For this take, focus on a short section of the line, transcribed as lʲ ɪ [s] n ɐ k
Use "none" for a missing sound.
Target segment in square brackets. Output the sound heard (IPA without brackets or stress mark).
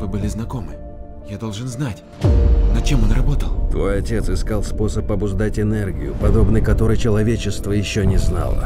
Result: z